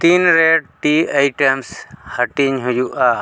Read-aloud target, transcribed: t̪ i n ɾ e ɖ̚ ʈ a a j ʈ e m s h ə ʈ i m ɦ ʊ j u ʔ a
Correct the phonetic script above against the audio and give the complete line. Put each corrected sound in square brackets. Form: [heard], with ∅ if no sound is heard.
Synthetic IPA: t̪ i n ɾ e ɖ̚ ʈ [i] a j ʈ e m s h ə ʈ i [ɲ] ɦ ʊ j u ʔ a